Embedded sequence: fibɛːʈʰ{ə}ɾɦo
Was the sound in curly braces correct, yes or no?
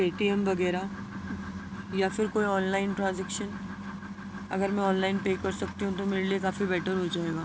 yes